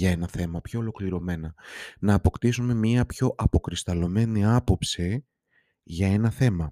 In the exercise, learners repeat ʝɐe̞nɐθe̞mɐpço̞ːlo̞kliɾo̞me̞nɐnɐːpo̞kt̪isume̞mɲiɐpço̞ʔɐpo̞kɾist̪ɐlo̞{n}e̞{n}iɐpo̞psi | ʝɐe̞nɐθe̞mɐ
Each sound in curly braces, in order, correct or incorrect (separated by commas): incorrect, correct